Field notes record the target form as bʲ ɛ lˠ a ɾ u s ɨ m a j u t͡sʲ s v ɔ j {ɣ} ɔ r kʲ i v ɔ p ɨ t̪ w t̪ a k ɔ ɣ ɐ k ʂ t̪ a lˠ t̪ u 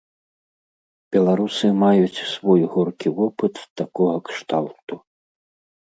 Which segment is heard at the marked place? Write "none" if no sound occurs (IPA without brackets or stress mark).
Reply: ɣ